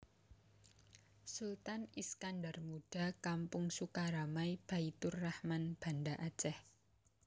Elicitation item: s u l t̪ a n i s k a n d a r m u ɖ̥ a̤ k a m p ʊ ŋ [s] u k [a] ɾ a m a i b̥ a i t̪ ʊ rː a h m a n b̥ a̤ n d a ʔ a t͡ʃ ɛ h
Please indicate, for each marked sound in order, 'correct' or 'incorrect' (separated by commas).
correct, correct